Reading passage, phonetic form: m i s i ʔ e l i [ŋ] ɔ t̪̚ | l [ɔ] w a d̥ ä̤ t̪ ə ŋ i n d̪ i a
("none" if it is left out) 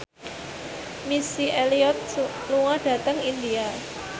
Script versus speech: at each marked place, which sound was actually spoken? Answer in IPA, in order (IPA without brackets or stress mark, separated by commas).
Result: none, u